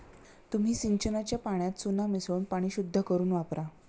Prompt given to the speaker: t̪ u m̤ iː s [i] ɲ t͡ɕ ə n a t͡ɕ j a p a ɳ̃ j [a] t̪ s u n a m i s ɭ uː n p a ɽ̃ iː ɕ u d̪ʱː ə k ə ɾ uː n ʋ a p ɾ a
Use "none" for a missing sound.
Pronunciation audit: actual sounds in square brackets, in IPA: i, a

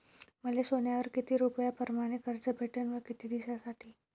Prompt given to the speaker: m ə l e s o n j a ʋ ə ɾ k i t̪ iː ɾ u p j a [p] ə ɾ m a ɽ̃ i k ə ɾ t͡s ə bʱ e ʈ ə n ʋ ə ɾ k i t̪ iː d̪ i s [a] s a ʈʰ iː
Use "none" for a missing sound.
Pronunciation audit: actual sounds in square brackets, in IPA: p, a

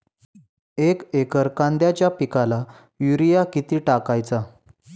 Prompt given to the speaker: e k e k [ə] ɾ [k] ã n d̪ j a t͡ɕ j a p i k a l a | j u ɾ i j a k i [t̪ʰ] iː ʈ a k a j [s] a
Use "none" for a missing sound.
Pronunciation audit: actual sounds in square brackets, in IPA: ə, k, t̪, t͡s

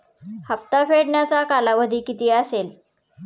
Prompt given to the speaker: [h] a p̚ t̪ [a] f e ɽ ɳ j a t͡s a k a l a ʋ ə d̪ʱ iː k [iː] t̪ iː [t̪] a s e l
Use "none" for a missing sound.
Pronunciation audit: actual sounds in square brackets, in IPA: h, a, i, none

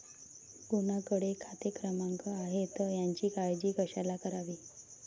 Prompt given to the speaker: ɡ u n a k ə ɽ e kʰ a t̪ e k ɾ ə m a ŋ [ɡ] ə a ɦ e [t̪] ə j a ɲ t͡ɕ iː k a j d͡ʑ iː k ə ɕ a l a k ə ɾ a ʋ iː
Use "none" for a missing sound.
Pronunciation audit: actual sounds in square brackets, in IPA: k, t̪

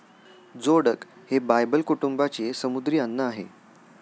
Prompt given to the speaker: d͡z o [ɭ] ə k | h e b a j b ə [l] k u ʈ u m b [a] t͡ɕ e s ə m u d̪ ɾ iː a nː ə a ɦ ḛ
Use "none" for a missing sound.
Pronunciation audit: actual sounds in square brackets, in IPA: ɽ, l, a

